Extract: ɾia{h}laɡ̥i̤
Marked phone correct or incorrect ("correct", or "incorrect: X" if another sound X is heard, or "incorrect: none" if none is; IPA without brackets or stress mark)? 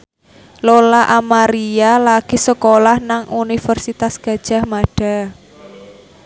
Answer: incorrect: none